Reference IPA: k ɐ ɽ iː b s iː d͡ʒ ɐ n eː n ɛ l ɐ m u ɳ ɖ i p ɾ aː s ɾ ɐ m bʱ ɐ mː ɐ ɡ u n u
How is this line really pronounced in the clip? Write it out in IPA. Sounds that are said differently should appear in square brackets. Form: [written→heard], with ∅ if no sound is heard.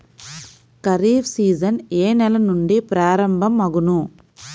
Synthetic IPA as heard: k ɐ [ɽ→ɾ] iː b s iː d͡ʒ ɐ n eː n ɛ l ɐ [m→n] u ɳ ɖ i p ɾ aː [s→∅] ɾ ɐ m bʱ ɐ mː ɐ ɡ u n u